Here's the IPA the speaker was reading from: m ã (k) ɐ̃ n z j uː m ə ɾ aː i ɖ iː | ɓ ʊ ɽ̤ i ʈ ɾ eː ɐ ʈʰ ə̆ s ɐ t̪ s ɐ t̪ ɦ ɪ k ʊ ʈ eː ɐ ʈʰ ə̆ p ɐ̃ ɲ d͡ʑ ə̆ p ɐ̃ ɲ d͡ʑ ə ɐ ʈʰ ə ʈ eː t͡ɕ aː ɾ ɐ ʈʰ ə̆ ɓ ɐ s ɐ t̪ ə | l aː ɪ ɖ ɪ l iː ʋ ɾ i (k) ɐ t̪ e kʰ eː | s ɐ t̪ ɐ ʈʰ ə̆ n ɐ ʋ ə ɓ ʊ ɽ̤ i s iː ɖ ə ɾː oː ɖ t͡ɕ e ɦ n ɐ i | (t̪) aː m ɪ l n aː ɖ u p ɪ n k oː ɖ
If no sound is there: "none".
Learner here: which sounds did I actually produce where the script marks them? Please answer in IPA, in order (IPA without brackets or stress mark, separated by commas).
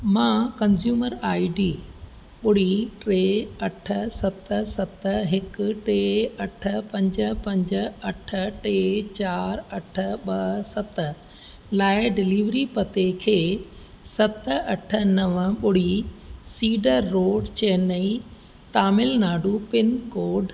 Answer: k, p, t̪